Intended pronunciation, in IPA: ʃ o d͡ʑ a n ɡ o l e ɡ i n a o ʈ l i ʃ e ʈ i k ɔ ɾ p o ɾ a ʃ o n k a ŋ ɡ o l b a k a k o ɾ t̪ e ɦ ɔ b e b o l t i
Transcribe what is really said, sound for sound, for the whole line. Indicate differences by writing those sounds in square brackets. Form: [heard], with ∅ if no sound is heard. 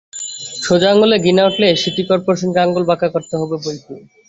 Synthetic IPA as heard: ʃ o d͡ʑ a [ŋ] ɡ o l e ɡ i n a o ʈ l [e] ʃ [i] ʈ i k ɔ ɾ p o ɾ a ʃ o n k a ŋ ɡ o l b a k a k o ɾ t̪ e ɦ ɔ b e b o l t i